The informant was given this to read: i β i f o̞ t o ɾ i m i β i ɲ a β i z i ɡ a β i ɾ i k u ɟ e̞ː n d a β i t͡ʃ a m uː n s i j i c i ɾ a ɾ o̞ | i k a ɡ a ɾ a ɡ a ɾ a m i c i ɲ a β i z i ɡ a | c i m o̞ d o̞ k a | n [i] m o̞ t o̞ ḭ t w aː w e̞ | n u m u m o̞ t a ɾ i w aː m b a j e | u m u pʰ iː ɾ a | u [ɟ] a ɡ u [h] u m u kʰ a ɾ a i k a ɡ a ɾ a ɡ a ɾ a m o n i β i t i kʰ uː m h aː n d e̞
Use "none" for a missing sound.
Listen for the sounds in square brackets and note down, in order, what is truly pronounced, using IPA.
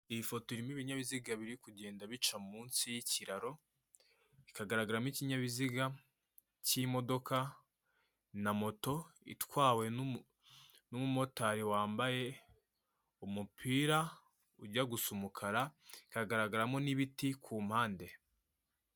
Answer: a, ɟ, s

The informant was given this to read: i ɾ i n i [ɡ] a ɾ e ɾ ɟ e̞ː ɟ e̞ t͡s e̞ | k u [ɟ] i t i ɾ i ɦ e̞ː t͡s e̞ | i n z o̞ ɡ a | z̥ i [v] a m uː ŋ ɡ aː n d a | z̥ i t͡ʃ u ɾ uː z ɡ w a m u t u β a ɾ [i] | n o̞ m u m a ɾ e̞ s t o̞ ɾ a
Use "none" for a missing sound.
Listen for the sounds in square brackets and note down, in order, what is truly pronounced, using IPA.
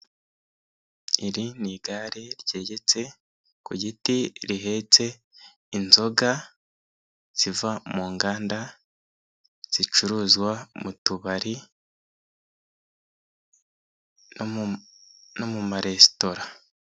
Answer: ɡ, ɟ, v, i

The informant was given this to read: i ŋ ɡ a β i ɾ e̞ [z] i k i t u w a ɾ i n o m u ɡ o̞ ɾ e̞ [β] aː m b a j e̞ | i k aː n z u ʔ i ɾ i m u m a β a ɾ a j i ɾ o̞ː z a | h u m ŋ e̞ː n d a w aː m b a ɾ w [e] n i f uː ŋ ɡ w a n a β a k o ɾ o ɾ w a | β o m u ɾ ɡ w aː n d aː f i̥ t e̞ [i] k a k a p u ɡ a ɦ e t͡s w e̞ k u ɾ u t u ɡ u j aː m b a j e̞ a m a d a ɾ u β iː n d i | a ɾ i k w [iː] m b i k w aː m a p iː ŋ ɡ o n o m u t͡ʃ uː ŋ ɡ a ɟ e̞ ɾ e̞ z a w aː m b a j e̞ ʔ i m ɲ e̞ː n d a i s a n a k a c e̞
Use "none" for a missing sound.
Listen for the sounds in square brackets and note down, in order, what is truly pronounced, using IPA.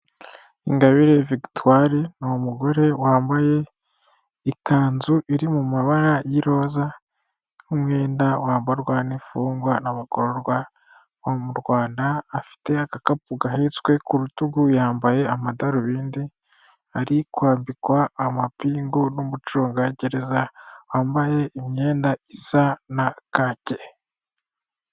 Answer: v, w, a, a, aː

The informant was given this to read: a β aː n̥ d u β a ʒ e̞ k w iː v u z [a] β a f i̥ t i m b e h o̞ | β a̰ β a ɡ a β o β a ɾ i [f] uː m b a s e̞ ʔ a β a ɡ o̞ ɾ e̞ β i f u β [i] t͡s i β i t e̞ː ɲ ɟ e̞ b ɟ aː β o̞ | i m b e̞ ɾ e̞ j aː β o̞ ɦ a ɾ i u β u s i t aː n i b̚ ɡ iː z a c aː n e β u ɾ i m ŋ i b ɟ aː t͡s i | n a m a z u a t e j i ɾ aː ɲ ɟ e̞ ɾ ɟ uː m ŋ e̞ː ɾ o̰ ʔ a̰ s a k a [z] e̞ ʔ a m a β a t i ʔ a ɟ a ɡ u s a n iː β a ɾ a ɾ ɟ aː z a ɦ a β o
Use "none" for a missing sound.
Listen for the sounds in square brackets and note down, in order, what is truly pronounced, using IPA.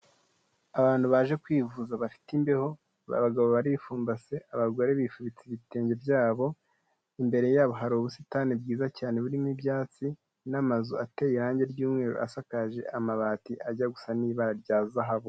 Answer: a, f, i, ʒ

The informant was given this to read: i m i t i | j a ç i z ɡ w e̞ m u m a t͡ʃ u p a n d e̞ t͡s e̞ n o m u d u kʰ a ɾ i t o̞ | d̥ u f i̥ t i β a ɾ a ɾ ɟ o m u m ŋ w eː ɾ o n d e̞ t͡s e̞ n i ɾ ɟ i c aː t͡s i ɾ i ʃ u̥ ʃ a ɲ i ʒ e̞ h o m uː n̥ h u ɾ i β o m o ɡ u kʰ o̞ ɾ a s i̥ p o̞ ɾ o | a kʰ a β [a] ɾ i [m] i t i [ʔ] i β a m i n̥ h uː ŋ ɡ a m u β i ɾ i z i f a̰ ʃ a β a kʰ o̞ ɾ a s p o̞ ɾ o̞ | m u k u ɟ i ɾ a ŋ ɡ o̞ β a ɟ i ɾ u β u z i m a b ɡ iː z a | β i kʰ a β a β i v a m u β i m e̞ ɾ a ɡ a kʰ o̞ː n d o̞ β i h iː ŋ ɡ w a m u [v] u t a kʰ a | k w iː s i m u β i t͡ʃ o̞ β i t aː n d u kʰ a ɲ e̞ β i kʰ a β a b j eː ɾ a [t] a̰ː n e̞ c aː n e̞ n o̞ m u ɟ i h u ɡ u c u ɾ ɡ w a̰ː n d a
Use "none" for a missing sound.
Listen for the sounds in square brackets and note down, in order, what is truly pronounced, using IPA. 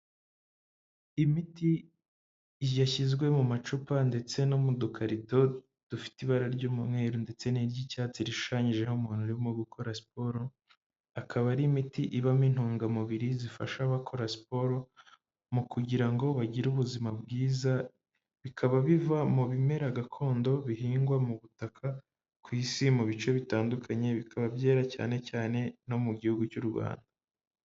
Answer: a, m, ʔ, β, c

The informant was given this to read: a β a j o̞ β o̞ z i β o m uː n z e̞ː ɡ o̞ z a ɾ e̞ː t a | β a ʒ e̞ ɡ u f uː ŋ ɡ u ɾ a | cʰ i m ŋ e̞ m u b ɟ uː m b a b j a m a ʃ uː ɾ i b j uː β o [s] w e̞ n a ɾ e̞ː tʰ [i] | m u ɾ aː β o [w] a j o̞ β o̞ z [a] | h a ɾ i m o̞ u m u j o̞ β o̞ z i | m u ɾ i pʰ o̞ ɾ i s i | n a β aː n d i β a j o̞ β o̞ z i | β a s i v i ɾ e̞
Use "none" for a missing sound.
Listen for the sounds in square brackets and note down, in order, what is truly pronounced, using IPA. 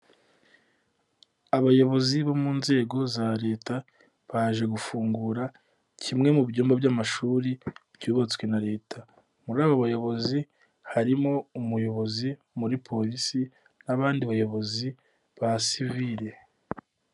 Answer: t͡s, a, β, i

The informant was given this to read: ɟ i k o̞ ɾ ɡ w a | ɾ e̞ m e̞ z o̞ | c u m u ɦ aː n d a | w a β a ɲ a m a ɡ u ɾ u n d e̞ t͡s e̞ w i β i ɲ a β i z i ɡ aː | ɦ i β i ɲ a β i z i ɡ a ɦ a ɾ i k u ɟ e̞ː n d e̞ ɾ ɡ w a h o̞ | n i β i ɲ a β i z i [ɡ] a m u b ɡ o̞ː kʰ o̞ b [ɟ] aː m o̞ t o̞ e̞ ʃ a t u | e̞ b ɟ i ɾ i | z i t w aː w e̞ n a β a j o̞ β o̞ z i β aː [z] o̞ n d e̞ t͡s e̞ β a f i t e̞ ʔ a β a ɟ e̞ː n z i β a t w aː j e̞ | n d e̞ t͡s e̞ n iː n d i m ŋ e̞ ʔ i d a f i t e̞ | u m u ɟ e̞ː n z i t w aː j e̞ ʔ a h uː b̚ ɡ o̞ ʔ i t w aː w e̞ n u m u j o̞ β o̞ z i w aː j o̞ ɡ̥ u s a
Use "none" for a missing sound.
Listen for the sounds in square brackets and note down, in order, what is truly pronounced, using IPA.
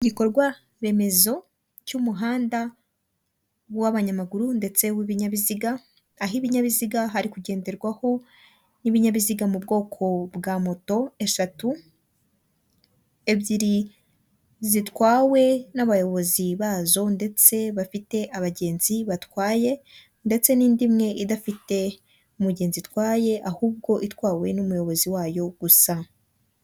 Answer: ɡ, ɡ, z

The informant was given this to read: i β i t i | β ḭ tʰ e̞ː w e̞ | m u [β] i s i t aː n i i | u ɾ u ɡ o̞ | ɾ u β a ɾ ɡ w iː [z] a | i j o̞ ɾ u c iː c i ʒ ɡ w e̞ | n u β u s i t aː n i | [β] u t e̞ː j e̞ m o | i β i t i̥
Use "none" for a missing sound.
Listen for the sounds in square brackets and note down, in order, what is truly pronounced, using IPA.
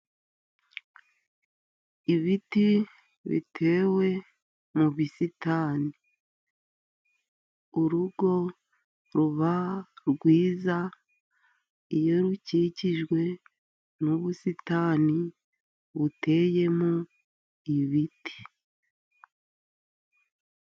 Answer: β, z, β

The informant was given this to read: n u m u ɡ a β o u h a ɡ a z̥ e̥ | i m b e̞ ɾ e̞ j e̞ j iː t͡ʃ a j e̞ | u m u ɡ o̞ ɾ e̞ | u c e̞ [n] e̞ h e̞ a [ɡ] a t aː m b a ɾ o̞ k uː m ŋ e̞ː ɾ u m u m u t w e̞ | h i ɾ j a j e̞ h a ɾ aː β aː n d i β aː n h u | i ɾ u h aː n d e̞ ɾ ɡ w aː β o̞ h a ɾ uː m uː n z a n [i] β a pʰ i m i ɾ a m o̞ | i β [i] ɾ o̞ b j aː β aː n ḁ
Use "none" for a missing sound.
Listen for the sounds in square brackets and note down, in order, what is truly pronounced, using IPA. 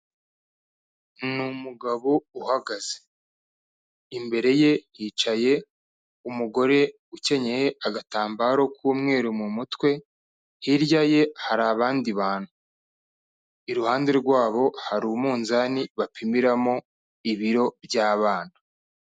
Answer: ɲ, ɡ, i, i

